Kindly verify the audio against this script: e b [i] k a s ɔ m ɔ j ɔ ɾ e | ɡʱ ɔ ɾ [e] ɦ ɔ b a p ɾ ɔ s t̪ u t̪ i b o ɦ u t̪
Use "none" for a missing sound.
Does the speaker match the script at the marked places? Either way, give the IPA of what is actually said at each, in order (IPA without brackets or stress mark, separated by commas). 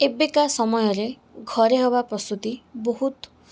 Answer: e, e